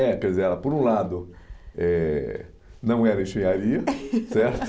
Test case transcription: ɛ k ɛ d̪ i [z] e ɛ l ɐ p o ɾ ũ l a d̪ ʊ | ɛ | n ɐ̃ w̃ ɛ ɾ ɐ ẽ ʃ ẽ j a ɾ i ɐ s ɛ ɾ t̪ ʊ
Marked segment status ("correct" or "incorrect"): correct